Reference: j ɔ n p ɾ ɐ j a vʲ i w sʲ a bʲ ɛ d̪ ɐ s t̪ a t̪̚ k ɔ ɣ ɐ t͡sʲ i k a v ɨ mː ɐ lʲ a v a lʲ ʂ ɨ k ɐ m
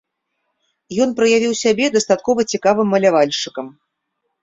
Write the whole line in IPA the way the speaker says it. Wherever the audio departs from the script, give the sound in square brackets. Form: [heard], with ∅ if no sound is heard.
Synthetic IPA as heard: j ɔ n p ɾ ɐ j a vʲ i w sʲ a bʲ ɛ d̪ ɐ s t̪ a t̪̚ k ɔ [v] ɐ t͡sʲ i k a v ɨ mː ɐ lʲ a v a lʲ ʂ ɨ k ɐ m